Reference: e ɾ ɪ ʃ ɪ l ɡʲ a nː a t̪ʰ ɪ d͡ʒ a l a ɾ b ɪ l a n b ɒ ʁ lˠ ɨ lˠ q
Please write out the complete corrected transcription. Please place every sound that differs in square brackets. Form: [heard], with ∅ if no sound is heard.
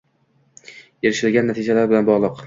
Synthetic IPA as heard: e ɾ ɪ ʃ ɪ l ɡʲ a nː a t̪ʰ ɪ d͡ʒ a l a ɾ b ɪ l a n b ɒ ʁ lˠ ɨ [∅] q